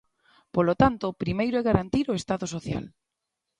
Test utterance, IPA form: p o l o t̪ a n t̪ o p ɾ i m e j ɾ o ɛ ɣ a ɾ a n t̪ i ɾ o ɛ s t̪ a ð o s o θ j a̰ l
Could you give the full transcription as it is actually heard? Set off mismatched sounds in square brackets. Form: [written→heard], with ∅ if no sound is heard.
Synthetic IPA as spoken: p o l o t̪ a n t̪ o p ɾ i m e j ɾ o ɛ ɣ a ɾ a n t̪ i ɾ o [ɛ→e] s t̪ a ð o s o θ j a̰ l